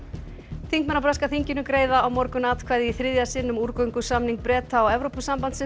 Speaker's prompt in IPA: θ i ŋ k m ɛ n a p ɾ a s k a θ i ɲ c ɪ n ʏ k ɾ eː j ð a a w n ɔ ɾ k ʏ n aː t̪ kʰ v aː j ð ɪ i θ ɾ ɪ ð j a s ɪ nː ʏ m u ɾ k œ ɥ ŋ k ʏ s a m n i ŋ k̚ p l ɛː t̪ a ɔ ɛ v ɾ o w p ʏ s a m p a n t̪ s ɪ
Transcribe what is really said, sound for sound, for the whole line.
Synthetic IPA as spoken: θ i ŋ k m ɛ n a p ɾ a s k a θ i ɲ c ɪ n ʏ k ɾ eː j ð a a w m ɔ ɾ k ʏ n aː t̪ kʰ v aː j ð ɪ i θ ɾ ɪ ð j a s ɪ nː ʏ m u ɾ k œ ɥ ŋ k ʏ s a m n i ŋ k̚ p ɾ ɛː t̪ a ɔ ɛ v ɾ o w p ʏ s a m p a n t̪ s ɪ

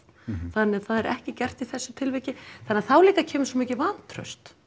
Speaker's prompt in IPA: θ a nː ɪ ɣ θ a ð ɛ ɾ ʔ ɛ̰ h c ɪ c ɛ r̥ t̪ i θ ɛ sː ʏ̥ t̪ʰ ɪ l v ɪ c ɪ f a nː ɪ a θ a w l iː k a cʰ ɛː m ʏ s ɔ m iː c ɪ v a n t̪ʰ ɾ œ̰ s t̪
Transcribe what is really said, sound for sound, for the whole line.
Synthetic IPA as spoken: θ a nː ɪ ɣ θ a ð ɛ ɾ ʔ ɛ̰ h c ɪ c ɛ r̥ t̪ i θ ɛ sː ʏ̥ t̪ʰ ɪ l v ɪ c ɪ θ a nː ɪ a θ a w l iː k a cʰ ɛː m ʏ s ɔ m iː c ɪ v a n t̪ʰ ɾ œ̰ s t̪

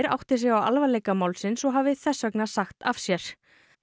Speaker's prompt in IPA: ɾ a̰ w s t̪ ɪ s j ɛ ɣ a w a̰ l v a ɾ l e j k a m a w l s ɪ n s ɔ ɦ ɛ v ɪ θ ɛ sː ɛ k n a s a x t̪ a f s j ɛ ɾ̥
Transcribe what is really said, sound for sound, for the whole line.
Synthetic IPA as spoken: ɾ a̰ w h t̪ ɪ s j ɛ ɣ a w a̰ l v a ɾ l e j k a m a w l s ɪ n s ɔ ɦ a v ɪ θ ɛ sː œ k n a s a x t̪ a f s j ɛ ɾ̥

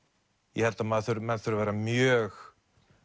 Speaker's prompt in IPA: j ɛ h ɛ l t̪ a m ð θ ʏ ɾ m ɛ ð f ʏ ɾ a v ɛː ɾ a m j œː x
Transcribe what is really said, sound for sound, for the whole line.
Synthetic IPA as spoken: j ɛ h ɛ l t̪ a m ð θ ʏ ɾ m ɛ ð θ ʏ ɾ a v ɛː ɾ a m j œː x

